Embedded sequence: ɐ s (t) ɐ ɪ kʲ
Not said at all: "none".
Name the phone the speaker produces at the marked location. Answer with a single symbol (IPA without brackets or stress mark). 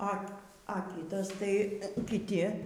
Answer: t